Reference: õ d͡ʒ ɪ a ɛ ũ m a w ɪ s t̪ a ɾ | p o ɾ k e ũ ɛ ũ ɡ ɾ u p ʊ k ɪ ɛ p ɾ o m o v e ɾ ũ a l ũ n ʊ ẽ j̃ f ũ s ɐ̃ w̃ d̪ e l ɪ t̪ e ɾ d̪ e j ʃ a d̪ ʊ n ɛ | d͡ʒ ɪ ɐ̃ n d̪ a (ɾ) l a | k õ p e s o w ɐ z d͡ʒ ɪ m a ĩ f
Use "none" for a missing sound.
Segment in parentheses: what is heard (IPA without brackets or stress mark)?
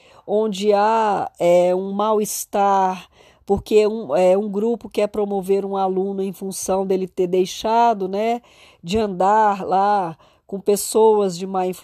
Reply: ɾ